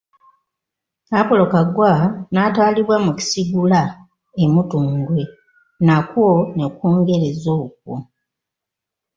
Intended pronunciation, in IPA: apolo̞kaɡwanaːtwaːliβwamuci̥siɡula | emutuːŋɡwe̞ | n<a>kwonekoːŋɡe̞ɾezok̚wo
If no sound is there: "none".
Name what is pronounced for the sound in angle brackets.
a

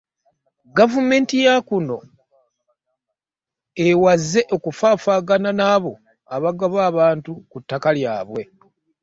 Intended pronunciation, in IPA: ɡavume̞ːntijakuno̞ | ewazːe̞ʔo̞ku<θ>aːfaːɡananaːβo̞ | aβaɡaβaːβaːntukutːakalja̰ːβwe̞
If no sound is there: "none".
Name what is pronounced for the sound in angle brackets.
f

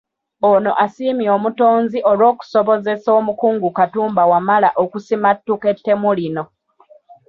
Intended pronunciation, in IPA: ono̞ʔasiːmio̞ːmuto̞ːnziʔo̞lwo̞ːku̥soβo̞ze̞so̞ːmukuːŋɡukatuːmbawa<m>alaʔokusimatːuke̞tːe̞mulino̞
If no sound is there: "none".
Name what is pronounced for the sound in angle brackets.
m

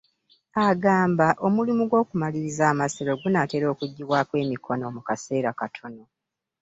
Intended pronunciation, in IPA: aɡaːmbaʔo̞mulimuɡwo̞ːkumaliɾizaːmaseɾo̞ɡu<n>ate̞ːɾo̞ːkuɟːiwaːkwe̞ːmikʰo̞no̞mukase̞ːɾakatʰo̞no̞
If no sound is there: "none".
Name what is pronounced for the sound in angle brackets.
n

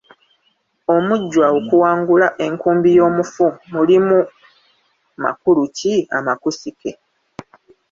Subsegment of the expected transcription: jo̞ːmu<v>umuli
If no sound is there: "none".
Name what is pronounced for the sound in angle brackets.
f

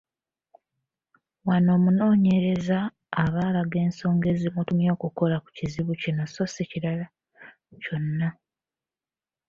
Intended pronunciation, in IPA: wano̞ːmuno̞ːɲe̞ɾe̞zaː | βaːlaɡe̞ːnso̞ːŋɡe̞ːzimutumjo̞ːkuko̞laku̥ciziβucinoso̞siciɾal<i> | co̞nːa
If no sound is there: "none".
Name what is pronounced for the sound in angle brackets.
a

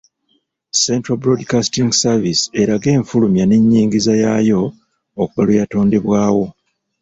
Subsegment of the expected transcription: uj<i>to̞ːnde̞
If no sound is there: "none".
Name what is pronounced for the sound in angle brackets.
a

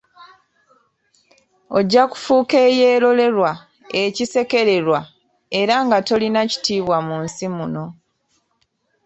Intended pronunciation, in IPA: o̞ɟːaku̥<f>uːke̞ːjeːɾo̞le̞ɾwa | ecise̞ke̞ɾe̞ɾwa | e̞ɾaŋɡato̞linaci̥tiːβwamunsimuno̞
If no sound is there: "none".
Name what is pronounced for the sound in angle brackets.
f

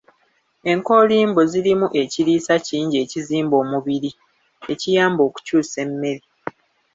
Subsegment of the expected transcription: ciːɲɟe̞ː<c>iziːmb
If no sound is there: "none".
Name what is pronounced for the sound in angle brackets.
c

